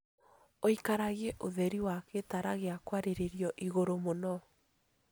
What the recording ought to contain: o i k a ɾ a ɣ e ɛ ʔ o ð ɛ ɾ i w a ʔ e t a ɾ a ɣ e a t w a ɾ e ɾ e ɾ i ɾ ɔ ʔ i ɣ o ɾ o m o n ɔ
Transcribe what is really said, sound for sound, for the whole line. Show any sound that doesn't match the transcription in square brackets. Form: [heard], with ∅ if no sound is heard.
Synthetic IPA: o i k a ɾ a ɣ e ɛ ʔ o ð ɛ ɾ i w a [k] e t a ɾ a ɣ e a [k] w a ɾ e ɾ e ɾ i [∅] ɔ ʔ i ɣ o ɾ o m o n ɔ